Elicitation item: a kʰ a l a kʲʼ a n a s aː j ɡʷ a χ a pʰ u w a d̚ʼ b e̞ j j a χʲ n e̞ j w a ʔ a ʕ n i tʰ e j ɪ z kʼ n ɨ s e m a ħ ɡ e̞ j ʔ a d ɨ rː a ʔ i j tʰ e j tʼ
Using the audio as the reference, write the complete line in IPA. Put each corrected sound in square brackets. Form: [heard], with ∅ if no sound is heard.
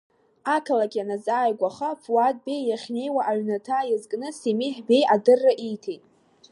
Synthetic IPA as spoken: a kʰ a l a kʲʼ a n a [z] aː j ɡʷ a χ a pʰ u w a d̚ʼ b e̞ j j a χʲ n e̞ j w a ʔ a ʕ n [a] tʰ [a] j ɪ z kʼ n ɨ s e m [i] ħ [b] e̞ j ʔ a d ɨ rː a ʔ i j tʰ e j tʼ